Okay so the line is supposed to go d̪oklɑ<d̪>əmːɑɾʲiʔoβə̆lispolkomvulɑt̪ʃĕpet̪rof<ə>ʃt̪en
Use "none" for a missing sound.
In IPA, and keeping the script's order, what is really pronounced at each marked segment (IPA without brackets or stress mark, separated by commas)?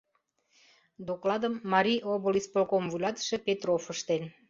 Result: d̪, ə